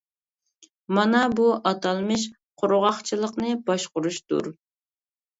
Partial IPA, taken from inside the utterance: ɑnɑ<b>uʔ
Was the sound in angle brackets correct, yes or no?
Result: yes